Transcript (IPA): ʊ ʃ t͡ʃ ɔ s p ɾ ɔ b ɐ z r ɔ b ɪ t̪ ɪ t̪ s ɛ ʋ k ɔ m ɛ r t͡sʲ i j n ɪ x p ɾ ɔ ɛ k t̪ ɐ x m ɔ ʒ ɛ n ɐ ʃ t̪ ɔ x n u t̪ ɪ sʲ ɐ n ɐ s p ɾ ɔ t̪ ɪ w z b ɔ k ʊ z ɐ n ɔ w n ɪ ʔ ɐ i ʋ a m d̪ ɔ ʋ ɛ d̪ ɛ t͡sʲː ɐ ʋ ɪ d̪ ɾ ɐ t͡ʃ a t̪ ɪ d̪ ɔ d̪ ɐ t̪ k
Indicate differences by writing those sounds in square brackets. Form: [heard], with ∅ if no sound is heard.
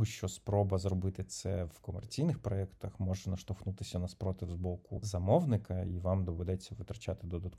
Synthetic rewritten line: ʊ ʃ t͡ʃ ɔ s p ɾ ɔ b ɐ z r ɔ b ɪ t̪ ɪ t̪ s ɛ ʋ k ɔ m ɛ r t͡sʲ i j n ɪ x p ɾ ɔ ɛ k t̪ ɐ x m ɔ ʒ ɛ n ɐ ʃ t̪ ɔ x n u t̪ ɪ sʲ ɐ n ɐ s p ɾ ɔ t̪ ɪ w z b ɔ k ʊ z ɐ [m] ɔ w n ɪ [k] ɐ i ʋ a m d̪ ɔ ʋ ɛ d̪ ɛ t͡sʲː ɐ ʋ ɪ [t̪] ɾ ɐ t͡ʃ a t̪ ɪ d̪ ɔ d̪ ɐ t̪ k